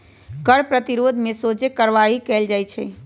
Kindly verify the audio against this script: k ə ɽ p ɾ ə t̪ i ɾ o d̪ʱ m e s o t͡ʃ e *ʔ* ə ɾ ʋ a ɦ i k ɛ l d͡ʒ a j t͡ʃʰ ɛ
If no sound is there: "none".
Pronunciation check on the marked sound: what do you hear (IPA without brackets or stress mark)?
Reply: k